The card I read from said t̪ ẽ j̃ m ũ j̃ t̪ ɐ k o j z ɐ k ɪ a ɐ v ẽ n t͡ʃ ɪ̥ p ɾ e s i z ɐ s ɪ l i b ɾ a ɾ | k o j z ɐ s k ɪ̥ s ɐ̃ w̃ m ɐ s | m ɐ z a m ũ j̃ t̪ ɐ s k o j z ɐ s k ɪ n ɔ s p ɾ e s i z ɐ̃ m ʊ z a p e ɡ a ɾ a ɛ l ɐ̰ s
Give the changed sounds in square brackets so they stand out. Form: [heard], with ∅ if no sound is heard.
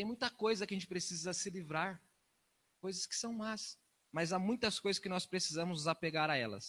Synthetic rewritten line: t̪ ẽ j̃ m ũ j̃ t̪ ɐ k o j z ɐ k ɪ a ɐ [ʒ] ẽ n t͡ʃ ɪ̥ p ɾ e s i z ɐ s ɪ l i [v] ɾ a ɾ | k o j z ɐ s k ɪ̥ s ɐ̃ w̃ m [a] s | m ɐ z a m ũ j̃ t̪ ɐ s k o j z ɐ s k ɪ n ɔ s p ɾ e s i z ɐ̃ m ʊ z a p e ɡ a ɾ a ɛ l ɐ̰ s